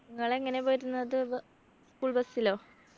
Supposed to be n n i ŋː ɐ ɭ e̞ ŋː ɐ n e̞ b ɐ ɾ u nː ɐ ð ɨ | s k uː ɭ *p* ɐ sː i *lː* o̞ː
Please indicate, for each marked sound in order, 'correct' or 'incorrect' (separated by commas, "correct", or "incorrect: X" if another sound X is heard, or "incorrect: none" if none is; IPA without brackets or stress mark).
incorrect: b, incorrect: l